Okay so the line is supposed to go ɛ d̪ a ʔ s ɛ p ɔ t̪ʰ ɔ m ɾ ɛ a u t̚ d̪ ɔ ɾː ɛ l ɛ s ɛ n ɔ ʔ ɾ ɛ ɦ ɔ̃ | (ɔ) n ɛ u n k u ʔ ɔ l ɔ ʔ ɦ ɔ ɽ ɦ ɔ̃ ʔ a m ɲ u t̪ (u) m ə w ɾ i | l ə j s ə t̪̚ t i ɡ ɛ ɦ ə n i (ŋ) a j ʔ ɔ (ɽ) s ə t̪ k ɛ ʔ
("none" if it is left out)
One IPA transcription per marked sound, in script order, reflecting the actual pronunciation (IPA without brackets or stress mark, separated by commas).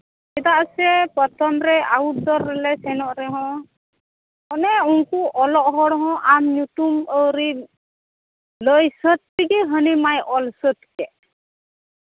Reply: ɔ, u, m, l